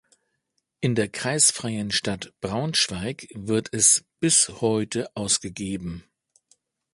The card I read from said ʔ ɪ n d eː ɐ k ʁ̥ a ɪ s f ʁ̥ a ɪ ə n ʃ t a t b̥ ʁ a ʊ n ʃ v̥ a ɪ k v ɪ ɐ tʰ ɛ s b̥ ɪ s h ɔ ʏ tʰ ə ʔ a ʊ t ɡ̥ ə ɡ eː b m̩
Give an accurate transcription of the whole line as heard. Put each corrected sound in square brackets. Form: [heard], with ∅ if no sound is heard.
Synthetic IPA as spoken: ʔ ɪ n d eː ɐ k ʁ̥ a ɪ s f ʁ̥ a ɪ ə n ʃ t a t b̥ ʁ a ʊ n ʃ v̥ a ɪ k v ɪ ɐ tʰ ɛ s b̥ ɪ s h ɔ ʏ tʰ ə ʔ a ʊ [s] ɡ̥ ə ɡ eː b m̩